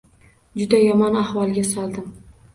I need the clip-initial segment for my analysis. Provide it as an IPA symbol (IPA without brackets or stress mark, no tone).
d͡ʒ